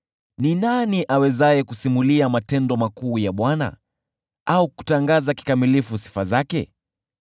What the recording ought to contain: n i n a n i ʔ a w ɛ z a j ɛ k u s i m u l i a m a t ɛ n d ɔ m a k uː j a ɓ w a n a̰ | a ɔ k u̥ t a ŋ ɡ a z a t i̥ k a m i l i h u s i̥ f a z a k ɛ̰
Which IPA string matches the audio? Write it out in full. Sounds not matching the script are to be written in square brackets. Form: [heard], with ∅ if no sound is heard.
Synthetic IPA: n i n a n i ʔ a w ɛ z a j ɛ k u s i m u l i a m a t ɛ n d ɔ m a k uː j a ɓ w a n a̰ | a [u] k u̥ t a ŋ ɡ a z a [k] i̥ k a m i l i [f] u s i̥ f a z a k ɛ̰